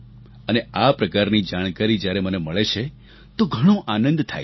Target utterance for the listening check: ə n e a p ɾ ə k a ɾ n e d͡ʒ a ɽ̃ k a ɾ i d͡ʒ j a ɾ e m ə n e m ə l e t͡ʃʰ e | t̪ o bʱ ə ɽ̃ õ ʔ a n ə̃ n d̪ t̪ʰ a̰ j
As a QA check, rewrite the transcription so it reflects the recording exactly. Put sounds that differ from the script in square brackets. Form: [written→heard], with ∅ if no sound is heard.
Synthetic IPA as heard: ə n e a p ɾ ə k a ɾ n [e→i] d͡ʒ a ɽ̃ k a ɾ i d͡ʒ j a ɾ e m ə n e m ə [l→ɭ] e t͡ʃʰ e | t̪ o [bʱ→ɡʱ] ə ɽ̃ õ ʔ a n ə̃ n d̪ t̪ʰ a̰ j